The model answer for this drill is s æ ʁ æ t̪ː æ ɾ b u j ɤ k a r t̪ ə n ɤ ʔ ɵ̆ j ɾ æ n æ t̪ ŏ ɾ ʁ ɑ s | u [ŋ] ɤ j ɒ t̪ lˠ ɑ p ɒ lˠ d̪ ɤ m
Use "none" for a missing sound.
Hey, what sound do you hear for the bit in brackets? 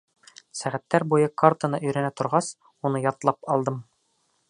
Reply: n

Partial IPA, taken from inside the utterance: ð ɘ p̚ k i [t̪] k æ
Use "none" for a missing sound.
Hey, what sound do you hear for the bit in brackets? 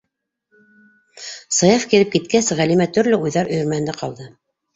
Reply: t̪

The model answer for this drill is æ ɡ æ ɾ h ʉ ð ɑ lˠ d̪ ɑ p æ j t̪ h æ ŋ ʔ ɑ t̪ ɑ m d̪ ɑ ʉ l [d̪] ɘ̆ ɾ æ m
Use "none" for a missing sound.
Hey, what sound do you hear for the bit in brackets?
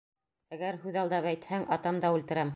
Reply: t̪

